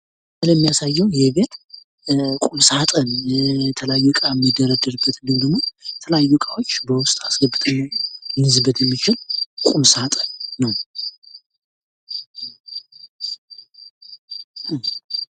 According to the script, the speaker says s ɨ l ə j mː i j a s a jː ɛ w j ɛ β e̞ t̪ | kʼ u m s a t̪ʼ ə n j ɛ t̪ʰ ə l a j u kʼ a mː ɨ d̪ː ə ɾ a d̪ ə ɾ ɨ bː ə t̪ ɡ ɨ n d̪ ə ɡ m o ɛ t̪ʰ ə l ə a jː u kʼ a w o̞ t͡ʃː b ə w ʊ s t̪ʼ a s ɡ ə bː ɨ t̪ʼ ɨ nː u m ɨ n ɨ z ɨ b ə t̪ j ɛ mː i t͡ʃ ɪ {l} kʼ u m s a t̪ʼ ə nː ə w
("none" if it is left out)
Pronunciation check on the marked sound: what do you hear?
l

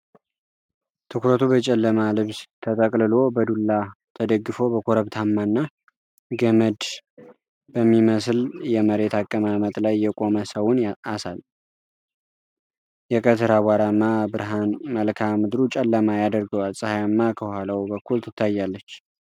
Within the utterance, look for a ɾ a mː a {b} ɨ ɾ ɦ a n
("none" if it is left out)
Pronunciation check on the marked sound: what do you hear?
b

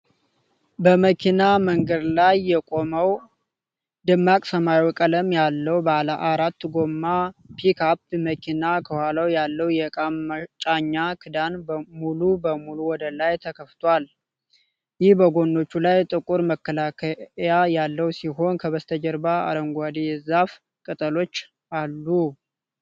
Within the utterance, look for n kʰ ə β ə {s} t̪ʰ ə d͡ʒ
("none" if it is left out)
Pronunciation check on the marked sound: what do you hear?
s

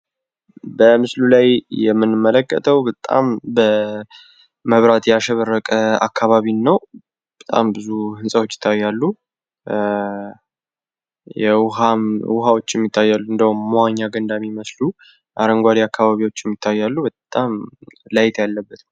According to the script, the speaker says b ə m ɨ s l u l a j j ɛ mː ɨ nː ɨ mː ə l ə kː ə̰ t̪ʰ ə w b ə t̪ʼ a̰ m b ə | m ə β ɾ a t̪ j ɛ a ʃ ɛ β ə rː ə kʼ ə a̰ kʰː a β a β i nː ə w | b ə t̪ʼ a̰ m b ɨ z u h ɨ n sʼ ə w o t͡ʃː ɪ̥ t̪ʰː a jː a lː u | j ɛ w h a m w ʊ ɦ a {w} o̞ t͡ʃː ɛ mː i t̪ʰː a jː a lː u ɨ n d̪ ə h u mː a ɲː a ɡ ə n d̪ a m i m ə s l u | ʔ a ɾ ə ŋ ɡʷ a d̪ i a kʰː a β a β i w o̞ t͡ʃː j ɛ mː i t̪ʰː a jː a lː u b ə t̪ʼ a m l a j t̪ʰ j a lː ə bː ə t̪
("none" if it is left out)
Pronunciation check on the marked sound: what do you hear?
w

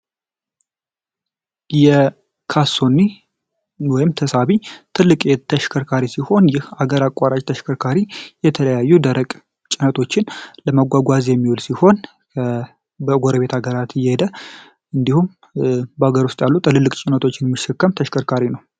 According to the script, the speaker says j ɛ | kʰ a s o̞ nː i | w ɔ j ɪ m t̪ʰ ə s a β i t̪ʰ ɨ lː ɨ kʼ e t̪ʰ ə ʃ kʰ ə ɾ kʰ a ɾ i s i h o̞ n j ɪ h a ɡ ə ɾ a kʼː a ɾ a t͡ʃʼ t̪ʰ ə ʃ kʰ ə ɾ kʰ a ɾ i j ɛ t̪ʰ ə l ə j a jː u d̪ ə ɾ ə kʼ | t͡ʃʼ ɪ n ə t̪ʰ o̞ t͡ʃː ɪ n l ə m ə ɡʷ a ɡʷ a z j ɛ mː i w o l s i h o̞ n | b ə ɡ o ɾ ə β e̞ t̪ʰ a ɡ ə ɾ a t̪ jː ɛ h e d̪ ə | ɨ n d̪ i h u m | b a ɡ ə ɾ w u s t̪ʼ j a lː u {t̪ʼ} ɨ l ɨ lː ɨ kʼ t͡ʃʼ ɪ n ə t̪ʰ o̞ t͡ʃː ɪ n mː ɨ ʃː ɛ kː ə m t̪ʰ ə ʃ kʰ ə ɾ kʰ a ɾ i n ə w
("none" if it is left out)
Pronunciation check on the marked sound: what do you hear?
t̪ʼ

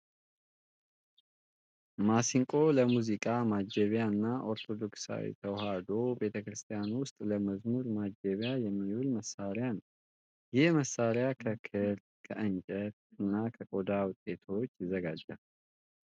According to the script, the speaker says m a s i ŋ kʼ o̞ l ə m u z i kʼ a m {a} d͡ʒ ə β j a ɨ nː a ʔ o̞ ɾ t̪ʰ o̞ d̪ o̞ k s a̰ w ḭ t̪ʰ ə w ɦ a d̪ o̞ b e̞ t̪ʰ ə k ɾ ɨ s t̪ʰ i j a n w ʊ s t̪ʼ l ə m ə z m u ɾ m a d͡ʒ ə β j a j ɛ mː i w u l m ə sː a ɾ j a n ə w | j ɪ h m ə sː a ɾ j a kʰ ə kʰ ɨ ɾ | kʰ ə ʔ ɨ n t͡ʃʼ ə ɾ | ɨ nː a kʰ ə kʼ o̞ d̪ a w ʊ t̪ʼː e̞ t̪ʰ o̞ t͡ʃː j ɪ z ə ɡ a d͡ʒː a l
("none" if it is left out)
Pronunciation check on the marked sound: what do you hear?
a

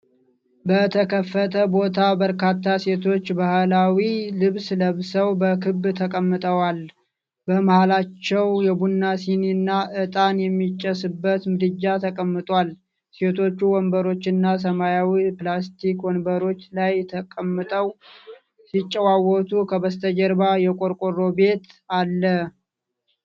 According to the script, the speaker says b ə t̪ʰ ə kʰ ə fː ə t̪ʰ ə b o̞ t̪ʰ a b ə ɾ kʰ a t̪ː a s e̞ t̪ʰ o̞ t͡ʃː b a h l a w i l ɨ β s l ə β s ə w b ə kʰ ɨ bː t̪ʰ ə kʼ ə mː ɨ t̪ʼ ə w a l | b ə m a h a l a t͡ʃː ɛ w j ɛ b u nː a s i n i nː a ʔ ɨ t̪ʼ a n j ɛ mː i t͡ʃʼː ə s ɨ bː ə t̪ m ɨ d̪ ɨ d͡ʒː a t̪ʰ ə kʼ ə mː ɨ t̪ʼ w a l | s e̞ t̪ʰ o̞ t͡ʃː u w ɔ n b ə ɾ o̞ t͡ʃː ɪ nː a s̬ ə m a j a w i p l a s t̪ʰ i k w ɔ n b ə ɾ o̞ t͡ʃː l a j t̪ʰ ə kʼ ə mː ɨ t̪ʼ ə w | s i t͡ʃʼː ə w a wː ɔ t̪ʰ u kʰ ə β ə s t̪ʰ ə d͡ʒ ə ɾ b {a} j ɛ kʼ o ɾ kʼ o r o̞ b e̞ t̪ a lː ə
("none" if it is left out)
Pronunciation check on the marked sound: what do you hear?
a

